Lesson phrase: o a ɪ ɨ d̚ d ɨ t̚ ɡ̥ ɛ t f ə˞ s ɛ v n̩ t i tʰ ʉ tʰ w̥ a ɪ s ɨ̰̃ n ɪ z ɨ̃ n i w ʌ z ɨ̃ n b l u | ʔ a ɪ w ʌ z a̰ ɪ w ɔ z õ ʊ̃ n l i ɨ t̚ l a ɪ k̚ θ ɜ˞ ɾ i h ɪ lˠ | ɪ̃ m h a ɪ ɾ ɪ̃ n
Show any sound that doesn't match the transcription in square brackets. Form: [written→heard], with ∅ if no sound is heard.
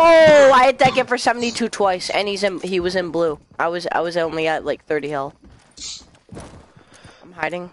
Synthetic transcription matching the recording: o a ɪ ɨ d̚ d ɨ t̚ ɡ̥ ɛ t f ə˞ s ɛ v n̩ t i tʰ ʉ tʰ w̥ a ɪ s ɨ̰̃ n [ɪ→i] z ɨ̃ n i w ʌ z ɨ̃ n b l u | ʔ a ɪ w ʌ z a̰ ɪ w [ɔ→ʌ] z õ ʊ̃ n l i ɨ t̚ l a ɪ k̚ θ ɜ˞ ɾ i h ɪ lˠ | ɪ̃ m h a ɪ ɾ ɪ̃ [n→ŋ]